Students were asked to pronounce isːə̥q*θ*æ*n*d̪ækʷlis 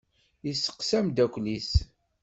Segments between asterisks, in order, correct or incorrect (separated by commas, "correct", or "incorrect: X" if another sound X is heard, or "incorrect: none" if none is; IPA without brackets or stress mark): incorrect: s, incorrect: m